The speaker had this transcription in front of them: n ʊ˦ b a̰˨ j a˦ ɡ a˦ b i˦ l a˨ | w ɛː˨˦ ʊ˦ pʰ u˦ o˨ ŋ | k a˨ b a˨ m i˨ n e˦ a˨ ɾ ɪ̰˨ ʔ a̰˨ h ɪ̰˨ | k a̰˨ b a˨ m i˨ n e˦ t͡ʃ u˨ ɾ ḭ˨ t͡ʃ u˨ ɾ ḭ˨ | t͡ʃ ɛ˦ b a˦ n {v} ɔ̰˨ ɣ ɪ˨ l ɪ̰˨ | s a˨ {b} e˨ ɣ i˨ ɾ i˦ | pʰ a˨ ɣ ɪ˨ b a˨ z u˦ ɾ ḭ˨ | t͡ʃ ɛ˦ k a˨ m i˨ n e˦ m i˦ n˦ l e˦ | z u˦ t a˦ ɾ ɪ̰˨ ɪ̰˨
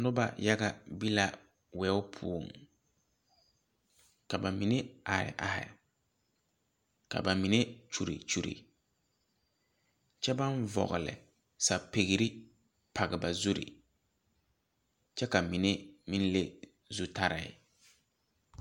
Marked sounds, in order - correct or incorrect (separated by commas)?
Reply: correct, incorrect